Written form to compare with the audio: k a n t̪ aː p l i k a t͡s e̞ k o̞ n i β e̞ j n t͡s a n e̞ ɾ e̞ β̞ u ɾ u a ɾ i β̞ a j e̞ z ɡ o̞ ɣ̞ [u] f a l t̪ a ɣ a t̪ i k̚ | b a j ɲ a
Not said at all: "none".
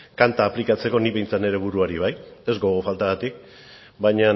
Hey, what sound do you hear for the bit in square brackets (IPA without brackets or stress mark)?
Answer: o